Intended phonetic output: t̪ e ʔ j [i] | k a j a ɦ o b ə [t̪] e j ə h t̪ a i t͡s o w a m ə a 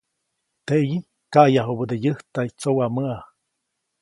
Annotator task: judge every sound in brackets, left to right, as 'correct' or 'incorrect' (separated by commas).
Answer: correct, incorrect